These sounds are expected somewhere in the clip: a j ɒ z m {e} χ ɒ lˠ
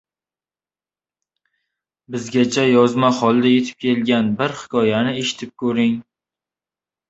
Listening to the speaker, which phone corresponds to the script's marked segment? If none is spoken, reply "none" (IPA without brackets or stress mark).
a